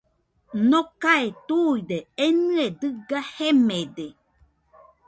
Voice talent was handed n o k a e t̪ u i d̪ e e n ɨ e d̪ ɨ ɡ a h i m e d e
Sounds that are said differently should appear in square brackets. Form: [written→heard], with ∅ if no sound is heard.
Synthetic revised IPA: n o k a e t̪ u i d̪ e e n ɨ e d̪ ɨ ɡ a h [i→e] m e d e